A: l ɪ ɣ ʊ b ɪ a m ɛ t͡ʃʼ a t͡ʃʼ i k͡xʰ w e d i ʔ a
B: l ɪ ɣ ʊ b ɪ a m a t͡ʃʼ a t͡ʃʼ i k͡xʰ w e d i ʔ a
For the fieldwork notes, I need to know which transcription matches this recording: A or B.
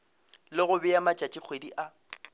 B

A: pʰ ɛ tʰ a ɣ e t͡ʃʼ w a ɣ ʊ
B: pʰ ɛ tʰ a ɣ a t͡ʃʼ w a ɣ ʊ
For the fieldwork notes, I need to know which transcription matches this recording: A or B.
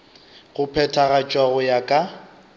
B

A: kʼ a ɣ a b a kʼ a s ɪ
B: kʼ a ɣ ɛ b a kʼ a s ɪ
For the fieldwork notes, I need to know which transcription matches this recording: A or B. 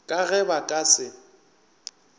B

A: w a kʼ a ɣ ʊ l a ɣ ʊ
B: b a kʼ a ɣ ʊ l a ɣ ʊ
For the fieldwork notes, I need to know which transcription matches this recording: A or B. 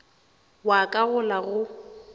A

